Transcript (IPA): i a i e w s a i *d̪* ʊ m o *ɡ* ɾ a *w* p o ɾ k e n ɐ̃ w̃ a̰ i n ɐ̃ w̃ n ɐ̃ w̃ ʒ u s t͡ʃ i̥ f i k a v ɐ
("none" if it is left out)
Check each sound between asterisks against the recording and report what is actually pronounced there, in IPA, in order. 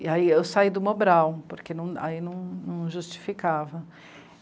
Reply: d̪, b, w

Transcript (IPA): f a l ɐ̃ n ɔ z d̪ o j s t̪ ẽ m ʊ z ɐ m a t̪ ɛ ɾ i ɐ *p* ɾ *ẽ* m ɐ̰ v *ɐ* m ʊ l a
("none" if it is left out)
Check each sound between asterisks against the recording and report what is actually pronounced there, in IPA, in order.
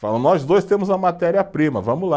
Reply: p, ĩ, ɐ̃

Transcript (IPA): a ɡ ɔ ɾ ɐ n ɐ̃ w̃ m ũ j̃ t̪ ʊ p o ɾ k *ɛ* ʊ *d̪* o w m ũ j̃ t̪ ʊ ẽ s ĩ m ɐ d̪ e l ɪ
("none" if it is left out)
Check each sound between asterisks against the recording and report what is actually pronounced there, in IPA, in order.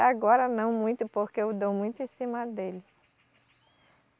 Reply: e, d̪

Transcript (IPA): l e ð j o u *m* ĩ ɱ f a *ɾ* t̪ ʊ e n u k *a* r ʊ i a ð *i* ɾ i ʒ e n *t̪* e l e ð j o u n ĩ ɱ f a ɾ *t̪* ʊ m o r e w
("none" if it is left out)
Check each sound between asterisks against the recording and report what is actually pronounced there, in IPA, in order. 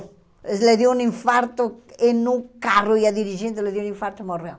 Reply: n, ɾ, a, i, t̪, t̪

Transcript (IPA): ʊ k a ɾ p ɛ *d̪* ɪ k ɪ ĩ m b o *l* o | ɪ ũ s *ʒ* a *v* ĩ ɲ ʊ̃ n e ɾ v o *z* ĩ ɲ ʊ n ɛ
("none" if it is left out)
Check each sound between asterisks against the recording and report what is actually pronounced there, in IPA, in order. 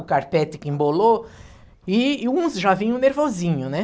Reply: t̪, l, ʒ, v, z

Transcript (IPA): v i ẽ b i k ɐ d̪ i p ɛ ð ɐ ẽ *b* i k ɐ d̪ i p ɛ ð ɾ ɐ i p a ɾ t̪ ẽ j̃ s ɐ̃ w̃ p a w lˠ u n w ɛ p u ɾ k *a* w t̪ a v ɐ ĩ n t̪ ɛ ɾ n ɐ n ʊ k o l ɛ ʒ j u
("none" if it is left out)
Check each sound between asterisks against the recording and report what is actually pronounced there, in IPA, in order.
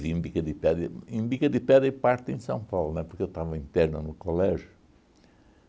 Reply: b, e

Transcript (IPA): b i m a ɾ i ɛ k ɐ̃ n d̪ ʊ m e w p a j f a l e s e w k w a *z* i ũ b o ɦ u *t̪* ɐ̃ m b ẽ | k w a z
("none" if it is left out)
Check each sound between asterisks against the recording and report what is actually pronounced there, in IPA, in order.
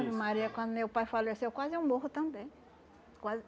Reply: z, t̪

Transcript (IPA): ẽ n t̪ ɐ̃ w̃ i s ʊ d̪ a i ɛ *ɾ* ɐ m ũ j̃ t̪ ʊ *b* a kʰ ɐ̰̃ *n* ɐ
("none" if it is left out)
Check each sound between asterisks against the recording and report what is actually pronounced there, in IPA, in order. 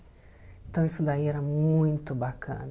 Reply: ɾ, b, n

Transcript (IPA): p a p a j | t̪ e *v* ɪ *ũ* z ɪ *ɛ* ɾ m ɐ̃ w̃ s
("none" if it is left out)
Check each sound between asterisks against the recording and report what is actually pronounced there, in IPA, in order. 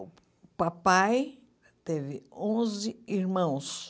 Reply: v, õ, i

